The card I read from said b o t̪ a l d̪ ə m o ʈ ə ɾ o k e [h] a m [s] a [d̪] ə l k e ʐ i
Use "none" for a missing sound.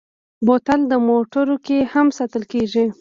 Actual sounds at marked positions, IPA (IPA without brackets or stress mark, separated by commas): h, s, t̪